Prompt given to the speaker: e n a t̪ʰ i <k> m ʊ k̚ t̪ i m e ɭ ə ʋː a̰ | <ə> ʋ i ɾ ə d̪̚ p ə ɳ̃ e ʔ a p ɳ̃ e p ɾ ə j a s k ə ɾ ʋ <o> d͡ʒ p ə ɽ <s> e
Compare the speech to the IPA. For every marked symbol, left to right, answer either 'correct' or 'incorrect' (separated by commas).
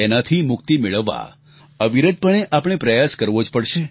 incorrect, correct, correct, incorrect